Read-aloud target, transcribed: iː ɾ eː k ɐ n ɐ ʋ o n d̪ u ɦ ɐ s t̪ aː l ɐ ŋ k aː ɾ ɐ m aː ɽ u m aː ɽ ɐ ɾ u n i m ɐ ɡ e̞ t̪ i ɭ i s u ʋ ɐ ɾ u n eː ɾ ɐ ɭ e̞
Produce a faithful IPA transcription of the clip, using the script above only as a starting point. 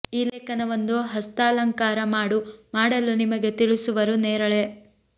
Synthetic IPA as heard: iː l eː k ɐ n ɐ ʋ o n d̪ u ɦ ɐ s t̪ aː l ɐ ŋ k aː ɾ ɐ m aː ɽ u m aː ɽ ɐ l u n i m ɐ ɡ e̞ t̪ i ɭ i s u ʋ ɐ ɾ u n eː ɾ ɐ ɭ e̞